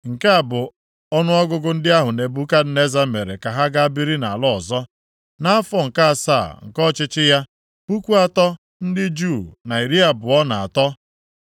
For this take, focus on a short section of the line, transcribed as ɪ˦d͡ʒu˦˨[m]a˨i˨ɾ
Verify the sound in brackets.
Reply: incorrect: n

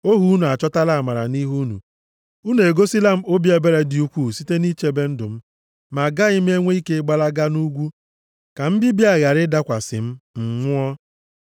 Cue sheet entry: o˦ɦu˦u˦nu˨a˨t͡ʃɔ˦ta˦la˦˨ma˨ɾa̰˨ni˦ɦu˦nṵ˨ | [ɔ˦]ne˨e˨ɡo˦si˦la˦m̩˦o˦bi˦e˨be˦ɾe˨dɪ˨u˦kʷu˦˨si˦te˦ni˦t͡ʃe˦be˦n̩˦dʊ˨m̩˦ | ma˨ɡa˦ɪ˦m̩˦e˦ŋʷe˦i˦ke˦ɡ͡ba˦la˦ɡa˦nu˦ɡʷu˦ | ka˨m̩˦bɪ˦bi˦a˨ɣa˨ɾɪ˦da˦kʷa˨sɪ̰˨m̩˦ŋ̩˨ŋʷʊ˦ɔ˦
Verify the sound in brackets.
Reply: incorrect: u˦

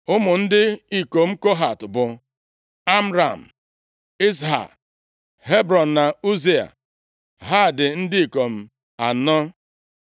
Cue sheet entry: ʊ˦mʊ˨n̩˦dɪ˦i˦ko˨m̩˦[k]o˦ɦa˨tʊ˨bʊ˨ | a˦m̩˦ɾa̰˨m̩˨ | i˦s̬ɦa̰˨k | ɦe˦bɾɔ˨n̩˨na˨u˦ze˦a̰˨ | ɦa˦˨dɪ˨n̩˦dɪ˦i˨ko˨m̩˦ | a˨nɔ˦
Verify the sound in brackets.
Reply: correct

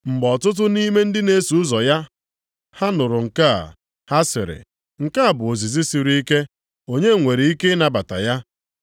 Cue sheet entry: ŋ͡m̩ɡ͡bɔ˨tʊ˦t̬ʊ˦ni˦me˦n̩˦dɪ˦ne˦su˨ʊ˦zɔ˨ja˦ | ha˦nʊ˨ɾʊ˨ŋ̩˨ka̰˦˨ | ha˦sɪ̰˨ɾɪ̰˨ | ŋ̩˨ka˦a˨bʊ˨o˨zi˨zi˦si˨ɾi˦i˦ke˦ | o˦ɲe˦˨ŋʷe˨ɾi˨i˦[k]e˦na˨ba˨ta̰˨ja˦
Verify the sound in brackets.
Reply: correct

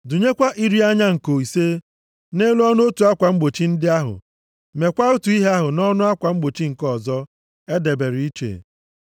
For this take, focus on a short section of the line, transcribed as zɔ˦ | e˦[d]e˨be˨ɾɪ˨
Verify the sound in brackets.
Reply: correct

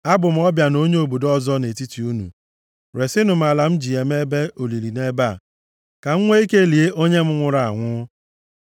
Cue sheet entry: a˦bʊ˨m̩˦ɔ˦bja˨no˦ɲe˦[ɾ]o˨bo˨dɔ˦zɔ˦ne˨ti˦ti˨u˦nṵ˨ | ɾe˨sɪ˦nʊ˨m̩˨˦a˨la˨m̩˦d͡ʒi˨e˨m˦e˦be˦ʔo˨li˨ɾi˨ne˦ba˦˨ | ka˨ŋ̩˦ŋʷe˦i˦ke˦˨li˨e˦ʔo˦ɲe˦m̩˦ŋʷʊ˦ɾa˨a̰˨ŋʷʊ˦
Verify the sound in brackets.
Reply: incorrect: none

